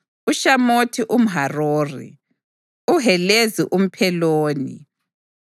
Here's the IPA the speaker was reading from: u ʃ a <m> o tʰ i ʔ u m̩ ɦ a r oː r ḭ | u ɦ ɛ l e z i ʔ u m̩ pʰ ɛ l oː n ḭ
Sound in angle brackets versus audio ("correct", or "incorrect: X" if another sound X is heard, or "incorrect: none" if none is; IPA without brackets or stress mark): correct